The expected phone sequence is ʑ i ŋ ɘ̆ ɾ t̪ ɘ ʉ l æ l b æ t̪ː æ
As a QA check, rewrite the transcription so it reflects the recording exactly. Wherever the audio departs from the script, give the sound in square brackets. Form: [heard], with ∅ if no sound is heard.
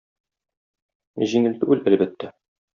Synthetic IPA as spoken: ʑ i ŋ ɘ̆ [l] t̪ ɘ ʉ l æ l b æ t̪ː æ